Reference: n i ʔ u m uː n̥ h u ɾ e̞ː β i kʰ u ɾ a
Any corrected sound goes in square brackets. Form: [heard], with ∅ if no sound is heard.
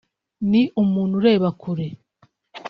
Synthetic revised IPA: n i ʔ u m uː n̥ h u ɾ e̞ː β [a] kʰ u ɾ [e]